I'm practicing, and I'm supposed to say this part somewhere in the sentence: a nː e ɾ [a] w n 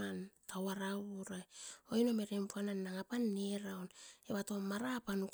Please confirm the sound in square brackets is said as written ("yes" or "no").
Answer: yes